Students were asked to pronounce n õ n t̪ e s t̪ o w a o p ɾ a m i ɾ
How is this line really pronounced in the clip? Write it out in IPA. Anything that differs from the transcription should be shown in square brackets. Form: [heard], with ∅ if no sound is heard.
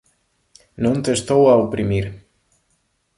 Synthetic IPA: n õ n t̪ e s t̪ o w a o p ɾ [i] m i ɾ